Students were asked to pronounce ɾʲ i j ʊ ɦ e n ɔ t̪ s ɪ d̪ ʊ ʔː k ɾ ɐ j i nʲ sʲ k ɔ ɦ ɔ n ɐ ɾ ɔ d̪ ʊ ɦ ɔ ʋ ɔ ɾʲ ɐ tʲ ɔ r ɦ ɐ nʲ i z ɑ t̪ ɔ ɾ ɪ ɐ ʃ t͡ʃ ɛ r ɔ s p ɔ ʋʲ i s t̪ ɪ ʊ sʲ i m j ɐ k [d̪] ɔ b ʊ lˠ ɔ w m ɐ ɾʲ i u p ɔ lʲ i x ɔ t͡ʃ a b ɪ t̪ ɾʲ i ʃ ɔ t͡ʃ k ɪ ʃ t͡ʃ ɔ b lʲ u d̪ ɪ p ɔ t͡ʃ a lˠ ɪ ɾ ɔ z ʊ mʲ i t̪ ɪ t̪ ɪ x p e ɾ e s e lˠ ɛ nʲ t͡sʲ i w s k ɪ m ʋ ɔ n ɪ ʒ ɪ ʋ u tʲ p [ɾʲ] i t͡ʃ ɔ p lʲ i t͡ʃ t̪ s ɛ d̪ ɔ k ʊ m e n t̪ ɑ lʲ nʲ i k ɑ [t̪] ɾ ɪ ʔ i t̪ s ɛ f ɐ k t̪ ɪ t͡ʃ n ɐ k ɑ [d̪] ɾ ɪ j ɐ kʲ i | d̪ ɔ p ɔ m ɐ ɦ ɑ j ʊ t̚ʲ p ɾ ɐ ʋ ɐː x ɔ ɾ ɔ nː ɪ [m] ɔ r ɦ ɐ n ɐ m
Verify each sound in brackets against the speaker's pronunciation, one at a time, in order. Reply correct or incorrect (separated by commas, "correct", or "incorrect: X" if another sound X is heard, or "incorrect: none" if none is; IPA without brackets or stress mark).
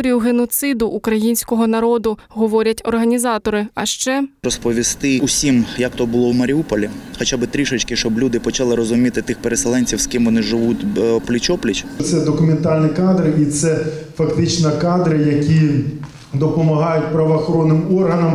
incorrect: t̪, incorrect: lʲ, incorrect: d̪, correct, correct